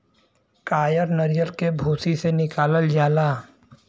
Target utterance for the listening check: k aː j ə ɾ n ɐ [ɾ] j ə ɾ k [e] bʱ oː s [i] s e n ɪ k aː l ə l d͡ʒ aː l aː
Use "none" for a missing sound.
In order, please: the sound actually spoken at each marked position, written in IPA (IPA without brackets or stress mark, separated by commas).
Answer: ɾ, e, i